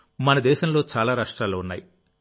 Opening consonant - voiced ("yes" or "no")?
yes